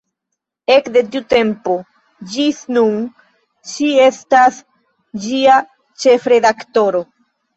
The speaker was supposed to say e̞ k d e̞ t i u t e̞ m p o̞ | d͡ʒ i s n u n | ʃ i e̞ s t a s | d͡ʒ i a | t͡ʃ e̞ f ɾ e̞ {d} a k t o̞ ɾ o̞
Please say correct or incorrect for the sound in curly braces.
correct